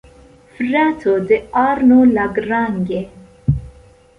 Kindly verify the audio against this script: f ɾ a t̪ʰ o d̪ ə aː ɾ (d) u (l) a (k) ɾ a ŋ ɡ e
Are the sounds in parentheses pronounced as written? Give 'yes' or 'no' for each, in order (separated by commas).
no, yes, no